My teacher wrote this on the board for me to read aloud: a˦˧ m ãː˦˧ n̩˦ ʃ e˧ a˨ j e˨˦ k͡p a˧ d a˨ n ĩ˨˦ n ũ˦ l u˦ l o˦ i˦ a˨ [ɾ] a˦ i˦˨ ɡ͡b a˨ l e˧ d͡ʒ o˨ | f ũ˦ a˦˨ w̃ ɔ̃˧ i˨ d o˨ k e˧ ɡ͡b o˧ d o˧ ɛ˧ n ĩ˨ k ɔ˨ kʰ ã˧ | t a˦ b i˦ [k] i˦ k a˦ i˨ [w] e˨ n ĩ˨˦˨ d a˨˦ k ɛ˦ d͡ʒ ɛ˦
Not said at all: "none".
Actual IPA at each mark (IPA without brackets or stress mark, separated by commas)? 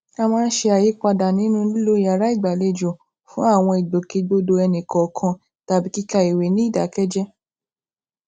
ɾ, k, w